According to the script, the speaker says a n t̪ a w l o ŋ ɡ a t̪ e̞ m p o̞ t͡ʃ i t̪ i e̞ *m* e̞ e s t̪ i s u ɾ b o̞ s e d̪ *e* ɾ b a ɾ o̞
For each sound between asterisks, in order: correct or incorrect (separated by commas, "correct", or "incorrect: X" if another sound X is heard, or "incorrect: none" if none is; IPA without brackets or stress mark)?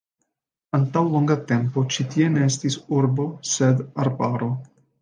incorrect: n, incorrect: a